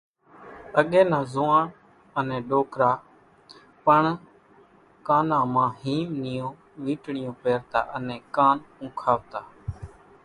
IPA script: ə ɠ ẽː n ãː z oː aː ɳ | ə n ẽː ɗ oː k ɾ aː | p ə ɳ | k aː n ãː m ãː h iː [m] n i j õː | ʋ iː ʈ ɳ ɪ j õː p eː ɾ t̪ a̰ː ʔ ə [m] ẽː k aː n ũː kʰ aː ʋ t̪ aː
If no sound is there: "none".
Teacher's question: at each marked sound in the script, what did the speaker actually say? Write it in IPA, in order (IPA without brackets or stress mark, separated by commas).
m, n